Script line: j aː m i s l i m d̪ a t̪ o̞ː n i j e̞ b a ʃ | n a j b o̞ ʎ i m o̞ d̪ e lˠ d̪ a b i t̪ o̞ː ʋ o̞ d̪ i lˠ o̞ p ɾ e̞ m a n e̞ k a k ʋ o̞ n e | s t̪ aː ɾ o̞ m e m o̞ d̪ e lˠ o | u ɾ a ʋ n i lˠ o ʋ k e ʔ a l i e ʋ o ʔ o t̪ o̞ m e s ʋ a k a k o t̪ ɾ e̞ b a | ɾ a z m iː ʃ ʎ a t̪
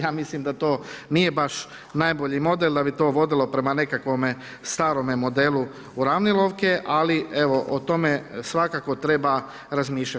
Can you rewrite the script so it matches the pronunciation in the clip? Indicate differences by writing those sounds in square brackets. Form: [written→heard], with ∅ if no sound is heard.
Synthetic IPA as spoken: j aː m i s l i m d̪ a t̪ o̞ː n i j e̞ b a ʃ | n a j b o̞ ʎ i m o̞ d̪ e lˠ d̪ a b i t̪ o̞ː ʋ o̞ d̪ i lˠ o̞ p ɾ e̞ m a n e̞ k a k ʋ o̞ [n→m] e | s t̪ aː ɾ o̞ m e m o̞ d̪ e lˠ [o→u] | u ɾ a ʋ n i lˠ o ʋ k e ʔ a l i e ʋ o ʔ o t̪ o̞ m e s ʋ a k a k o t̪ ɾ e̞ b a | ɾ a z m iː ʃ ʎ a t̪